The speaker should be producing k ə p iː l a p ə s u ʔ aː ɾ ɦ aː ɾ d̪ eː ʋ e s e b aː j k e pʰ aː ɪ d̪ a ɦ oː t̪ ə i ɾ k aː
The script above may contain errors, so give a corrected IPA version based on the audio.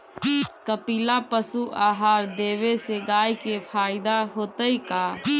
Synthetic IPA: k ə p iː l a p ə s u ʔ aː ɦ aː ɾ d̪ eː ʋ e s e ɡ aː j k e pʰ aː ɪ d̪ a ɦ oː t̪ ə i k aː

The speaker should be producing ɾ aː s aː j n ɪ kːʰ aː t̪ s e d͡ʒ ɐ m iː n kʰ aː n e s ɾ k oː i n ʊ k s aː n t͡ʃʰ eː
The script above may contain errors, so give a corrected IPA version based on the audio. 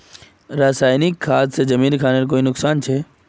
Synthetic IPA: ɾ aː s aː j n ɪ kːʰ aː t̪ s e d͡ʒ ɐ m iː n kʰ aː n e ɾ k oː i n ʊ k s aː n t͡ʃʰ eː

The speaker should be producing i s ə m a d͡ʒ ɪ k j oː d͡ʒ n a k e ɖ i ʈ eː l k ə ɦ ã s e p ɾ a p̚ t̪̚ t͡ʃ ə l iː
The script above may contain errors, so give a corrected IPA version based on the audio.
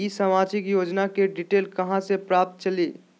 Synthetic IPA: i s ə m a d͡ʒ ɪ k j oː d͡ʒ n a k e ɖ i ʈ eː l k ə ɦ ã s e p ɾ a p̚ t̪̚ t͡ʃ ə l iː

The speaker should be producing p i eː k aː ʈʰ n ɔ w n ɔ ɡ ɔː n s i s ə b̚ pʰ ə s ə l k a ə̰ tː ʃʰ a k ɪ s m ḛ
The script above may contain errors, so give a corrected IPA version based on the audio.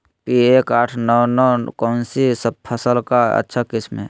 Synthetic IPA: p i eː k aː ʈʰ n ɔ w n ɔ k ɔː n s i s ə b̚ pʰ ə s ə l k a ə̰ tː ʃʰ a k ɪ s m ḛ

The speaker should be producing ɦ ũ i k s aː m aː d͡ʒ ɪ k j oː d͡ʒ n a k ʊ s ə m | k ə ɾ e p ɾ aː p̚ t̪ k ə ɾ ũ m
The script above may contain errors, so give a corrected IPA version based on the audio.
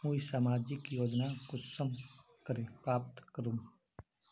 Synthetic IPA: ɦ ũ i s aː m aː d͡ʒ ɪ k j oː d͡ʒ n a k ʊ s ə m | k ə ɾ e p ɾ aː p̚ t̪ k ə ɾ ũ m

